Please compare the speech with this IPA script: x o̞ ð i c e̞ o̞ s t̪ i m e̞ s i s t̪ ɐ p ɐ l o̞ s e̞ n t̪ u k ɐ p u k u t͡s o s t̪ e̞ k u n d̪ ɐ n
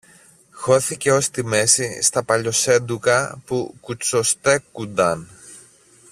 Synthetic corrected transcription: x o̞ θ i c e̞ o̞ s t̪ i m e̞ s i s t̪ ɐ p ɐ ʎ o̞ s e̞ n d̪ u k ɐ p u k u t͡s o s t̪ e̞ k u n d̪ ɐ n